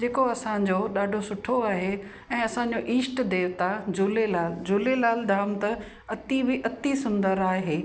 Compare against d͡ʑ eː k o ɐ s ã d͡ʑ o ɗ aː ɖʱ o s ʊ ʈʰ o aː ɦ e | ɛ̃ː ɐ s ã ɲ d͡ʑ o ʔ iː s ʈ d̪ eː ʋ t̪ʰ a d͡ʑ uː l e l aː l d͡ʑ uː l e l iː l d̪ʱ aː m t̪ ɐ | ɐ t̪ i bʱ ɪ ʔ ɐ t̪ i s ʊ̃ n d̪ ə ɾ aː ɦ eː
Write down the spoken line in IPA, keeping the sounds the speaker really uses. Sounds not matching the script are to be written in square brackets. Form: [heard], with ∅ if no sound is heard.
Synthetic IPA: d͡ʑ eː k o ɐ s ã d͡ʑ o ɗ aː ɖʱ o s ʊ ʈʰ o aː ɦ e | ɛ̃ː ɐ s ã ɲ d͡ʑ o ʔ iː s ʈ d̪ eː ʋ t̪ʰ a d͡ʑ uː l e l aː l d͡ʑ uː l e l [aː] l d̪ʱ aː m t̪ ɐ | ɐ t̪ i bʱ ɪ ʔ ɐ t̪ i s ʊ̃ n d̪ ə ɾ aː ɦ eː